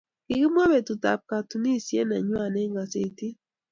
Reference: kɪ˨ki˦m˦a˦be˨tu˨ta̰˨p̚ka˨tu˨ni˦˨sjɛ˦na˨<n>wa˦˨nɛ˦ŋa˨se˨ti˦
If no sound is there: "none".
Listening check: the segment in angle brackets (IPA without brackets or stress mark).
ɲ